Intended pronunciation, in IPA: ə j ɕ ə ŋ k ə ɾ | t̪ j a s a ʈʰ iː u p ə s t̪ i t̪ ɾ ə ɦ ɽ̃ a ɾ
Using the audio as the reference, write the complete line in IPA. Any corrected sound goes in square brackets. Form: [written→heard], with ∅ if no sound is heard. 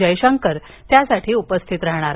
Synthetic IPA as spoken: ə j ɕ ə ŋ k ə ɾ | t̪ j a s a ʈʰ iː u p ə s [t̪→t̪ʰ] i t̪ ɾ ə ɦ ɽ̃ a ɾ